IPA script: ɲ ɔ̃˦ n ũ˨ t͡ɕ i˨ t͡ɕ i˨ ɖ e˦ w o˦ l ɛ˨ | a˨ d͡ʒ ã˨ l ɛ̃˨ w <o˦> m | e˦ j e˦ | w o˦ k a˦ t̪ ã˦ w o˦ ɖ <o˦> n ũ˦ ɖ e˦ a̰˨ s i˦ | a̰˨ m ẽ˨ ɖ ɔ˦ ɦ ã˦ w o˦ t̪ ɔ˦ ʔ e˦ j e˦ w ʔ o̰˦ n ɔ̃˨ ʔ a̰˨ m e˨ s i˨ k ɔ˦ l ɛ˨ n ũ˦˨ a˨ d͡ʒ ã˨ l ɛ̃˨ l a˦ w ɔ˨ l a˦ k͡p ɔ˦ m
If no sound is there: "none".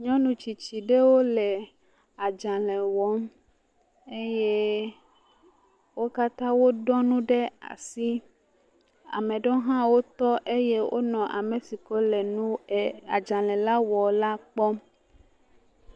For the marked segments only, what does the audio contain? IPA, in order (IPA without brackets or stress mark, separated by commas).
ɔ˦, ɔ˦